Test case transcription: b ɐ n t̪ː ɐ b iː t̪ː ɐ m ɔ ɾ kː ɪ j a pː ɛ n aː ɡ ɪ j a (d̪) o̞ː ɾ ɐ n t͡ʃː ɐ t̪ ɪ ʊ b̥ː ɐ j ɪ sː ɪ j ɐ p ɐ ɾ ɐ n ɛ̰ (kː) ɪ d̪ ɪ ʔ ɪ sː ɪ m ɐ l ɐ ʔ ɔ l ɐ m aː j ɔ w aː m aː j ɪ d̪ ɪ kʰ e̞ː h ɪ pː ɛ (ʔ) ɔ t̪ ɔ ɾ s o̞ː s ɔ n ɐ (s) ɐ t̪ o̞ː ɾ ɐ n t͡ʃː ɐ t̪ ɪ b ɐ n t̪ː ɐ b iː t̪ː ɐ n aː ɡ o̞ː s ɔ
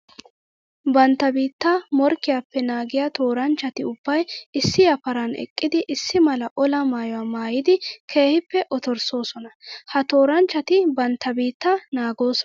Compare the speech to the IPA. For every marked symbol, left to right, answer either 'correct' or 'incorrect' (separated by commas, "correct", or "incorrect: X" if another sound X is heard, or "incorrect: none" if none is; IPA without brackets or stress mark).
incorrect: t̪, incorrect: kʼː, correct, incorrect: h